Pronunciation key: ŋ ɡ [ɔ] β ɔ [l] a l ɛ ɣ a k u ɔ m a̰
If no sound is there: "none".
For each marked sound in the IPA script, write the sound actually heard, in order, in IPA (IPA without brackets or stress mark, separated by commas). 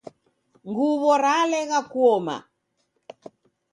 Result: u, ɾ